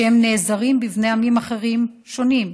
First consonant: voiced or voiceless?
voiced